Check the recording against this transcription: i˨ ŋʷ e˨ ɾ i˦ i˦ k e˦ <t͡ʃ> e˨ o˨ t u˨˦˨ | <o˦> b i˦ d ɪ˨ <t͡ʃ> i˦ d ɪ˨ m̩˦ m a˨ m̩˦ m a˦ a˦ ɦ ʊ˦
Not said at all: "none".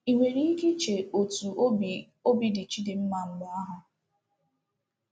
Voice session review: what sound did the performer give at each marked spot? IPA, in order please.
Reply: t͡ʃ, o˦, t͡ʃ

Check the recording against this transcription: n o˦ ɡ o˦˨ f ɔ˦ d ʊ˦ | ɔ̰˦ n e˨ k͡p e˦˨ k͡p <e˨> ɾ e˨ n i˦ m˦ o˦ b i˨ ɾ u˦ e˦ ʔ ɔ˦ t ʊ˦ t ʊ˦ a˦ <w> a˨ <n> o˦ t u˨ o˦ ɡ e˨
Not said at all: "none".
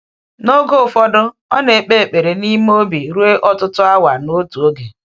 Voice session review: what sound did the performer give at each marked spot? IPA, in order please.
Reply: e˨, w, n

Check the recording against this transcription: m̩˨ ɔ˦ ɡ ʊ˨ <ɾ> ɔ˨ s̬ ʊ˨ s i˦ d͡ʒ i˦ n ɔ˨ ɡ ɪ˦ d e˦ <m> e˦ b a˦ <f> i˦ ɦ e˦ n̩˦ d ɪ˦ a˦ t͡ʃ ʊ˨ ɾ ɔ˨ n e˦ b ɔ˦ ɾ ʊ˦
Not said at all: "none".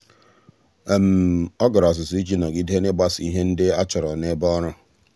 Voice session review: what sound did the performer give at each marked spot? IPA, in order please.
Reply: ɾ, n, s

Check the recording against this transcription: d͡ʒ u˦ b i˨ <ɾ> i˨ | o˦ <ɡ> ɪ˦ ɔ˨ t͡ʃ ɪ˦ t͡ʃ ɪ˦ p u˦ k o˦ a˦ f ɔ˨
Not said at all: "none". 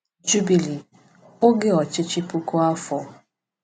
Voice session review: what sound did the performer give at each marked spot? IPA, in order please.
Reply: l, ɡ

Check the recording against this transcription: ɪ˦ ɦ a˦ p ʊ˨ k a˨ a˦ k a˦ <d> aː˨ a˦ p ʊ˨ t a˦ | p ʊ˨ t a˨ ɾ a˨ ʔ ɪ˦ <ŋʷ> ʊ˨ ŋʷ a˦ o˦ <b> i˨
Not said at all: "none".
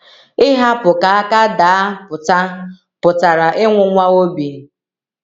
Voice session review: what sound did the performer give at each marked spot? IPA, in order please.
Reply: d, ŋʷ, b

